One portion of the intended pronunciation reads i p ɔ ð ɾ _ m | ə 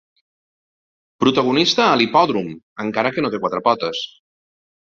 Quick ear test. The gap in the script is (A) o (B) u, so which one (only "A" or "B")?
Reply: B